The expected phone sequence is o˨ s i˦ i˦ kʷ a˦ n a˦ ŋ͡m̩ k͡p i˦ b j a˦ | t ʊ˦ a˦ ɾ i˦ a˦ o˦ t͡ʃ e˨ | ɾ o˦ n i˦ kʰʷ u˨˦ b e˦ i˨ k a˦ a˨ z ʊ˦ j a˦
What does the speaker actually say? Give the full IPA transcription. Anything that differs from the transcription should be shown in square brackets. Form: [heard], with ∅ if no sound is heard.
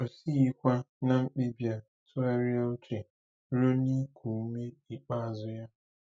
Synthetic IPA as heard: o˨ s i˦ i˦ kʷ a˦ n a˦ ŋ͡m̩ k͡p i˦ b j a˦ | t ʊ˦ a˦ ɾ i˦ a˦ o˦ t͡ʃ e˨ | ɾ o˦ n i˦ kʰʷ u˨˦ [m] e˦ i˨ [k͡p] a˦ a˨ z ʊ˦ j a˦